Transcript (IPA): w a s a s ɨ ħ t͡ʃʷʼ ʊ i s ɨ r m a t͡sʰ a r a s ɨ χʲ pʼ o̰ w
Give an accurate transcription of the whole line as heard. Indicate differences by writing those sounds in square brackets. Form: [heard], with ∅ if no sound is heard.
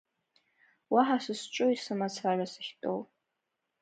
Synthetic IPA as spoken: w a [ħ] a s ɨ [s] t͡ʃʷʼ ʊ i s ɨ [∅] m a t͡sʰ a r a s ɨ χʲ [tʼ] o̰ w